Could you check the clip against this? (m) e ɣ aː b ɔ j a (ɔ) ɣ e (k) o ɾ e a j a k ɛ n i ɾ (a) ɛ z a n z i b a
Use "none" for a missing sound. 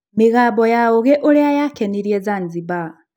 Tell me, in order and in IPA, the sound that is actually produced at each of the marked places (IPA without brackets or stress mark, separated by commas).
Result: m, o, ʔ, i